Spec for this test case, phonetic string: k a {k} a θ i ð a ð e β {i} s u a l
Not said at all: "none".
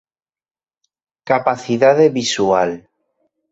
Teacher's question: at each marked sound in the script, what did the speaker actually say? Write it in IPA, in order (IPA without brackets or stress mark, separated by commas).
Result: p, i